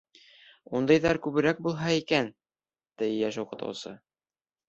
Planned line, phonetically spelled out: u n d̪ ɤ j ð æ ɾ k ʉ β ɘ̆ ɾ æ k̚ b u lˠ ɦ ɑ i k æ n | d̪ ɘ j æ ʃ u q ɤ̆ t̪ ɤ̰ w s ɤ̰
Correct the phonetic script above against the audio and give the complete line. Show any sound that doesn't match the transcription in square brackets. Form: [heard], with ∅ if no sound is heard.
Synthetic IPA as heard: u n d̪ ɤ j ð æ ɾ k ʉ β ɘ̆ ɾ æ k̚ b u lˠ ɦ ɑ i k æ n | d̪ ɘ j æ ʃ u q ɤ̆ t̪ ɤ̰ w s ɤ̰